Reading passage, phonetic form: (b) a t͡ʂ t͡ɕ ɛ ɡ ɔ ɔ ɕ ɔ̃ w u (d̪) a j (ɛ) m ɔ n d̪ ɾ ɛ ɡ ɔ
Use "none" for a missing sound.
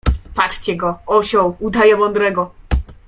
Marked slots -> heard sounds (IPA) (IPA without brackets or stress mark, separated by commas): p, d̪, ɛ